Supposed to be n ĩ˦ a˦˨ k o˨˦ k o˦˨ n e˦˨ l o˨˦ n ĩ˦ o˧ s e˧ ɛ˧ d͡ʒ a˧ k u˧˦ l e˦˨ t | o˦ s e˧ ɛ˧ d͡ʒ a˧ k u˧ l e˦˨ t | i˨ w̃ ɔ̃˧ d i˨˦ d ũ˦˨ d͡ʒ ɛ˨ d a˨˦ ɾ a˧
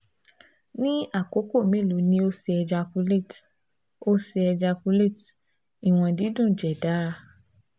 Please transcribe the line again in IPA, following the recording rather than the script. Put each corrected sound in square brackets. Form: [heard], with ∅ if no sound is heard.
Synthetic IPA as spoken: n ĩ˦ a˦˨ k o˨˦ k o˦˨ [m] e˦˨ l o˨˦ n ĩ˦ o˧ s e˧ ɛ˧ d͡ʒ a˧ k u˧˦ l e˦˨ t | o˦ s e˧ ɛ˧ d͡ʒ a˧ k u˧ l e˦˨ t | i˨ w̃ ɔ̃˧ d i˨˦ d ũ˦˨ d͡ʒ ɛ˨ d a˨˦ ɾ a˧